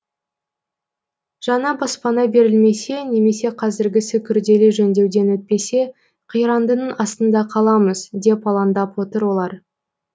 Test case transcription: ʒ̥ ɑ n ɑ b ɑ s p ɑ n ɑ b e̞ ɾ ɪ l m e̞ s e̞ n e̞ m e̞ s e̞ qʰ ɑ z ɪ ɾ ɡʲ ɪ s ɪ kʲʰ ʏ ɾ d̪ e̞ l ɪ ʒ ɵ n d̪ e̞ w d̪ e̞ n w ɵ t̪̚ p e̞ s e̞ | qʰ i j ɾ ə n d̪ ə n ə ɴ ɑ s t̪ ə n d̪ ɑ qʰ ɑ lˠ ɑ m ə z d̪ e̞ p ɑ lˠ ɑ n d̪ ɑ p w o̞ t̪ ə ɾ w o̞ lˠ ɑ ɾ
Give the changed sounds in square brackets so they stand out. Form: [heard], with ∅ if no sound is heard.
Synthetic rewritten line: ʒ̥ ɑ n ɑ b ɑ s p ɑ n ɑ b e̞ ɾ ɪ l m e̞ s e̞ n e̞ m e̞ s e̞ qʰ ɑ z ɪ ɾ ɡʲ ɪ s ɪ kʲʰ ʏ ɾ d̪ e̞ l ɪ ʒ ɵ n d̪ e̞ w d̪ e̞ n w ɵ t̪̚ p e̞ s e̞ | qʰ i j ɾ [ɑ] n d̪ ə n ə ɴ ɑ s t̪ ə n d̪ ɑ qʰ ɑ lˠ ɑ m ə z d̪ e̞ p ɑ lˠ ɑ n d̪ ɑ p w o̞ t̪ ə ɾ w o̞ lˠ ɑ ɾ